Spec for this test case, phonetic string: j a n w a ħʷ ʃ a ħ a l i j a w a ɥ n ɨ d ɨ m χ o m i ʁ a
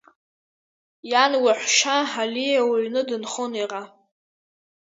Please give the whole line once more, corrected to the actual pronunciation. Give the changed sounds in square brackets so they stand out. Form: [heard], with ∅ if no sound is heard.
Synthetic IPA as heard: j a n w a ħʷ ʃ a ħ a l i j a w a ɥ n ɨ d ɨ [n] χ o [n] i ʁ a